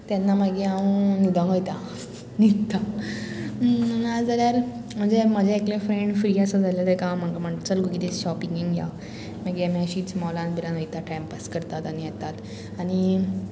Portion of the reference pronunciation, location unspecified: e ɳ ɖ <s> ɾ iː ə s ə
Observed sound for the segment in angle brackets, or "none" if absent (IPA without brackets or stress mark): f